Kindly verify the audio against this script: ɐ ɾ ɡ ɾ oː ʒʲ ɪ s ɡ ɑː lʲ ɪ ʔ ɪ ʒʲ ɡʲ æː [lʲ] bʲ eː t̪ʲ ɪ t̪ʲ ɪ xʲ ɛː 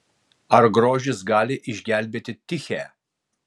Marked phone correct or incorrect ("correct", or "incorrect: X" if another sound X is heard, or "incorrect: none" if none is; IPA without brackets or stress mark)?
correct